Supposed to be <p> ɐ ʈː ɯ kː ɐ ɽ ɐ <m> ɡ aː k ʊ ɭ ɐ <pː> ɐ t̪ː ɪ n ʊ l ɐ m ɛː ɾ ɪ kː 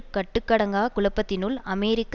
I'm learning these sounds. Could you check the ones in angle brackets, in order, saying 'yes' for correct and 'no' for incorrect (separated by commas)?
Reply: no, no, yes